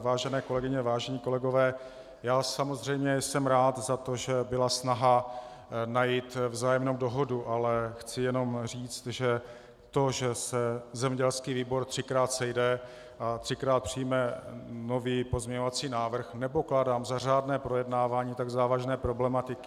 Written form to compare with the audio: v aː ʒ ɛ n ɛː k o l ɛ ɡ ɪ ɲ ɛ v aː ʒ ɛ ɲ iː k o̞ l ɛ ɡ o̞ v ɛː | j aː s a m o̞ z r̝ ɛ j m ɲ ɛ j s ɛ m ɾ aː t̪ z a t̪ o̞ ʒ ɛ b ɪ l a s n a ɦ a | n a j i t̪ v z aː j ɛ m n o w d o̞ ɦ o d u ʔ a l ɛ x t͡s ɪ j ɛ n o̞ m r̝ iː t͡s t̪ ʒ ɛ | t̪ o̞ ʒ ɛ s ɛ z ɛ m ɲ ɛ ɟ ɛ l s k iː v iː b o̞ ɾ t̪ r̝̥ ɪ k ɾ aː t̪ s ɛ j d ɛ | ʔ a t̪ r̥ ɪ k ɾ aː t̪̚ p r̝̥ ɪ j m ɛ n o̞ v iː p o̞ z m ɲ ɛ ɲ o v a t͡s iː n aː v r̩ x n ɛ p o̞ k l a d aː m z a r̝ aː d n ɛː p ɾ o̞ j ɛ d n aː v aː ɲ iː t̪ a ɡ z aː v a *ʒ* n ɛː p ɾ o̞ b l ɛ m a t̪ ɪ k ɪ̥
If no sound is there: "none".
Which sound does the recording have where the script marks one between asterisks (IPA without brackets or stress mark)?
ʒ